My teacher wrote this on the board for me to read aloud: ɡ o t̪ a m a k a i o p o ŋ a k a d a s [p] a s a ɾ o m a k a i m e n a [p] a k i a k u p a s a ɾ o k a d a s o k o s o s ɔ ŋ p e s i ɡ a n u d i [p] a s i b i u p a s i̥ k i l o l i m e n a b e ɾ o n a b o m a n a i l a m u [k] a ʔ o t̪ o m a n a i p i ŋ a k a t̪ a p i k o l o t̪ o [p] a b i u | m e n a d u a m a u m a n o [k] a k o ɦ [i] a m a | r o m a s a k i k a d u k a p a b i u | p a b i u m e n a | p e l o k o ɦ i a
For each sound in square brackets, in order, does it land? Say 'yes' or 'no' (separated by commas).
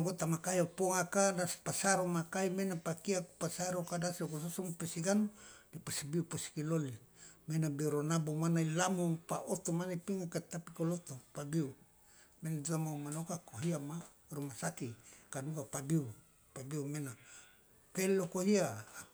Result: yes, yes, yes, no, yes, yes, yes